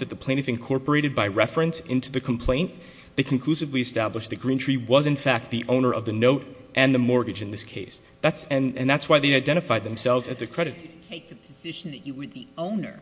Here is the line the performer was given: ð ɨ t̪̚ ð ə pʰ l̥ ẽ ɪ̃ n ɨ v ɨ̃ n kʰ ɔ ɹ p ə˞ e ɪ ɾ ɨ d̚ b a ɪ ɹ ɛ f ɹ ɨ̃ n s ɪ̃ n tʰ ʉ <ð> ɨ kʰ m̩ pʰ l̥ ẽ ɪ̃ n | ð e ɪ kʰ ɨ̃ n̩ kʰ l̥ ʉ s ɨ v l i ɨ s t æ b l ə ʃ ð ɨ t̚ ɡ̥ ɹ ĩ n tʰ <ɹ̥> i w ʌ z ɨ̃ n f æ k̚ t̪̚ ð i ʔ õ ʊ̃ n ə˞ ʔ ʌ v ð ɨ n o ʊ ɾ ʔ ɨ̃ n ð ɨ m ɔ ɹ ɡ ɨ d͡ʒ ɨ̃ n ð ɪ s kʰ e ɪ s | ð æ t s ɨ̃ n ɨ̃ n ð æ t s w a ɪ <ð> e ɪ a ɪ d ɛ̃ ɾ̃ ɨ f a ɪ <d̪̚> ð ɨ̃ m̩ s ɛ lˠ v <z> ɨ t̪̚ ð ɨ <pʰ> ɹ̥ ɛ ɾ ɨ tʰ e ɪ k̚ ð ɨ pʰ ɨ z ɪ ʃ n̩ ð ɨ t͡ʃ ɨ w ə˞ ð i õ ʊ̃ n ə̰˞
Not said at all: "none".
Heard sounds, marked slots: ð, ɹ̥, ð, d̪̚, z, kʰ

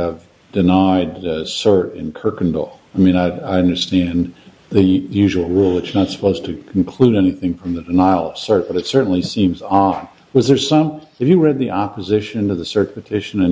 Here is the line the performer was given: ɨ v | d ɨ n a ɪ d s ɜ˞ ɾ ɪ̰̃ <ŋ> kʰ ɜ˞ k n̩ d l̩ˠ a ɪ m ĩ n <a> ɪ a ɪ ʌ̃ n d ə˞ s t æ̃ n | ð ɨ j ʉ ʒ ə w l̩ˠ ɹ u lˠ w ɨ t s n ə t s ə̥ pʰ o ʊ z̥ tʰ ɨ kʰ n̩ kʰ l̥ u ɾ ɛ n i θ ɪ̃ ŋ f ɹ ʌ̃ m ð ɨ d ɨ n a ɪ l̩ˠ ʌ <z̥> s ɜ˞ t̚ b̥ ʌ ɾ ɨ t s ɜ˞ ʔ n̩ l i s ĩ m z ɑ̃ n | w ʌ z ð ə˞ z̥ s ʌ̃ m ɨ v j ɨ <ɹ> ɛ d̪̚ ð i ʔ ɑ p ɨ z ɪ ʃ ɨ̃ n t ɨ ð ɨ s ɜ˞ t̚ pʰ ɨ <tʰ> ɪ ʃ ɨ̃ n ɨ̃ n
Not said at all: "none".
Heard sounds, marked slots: n, a, v̥, ɹ, tʰ

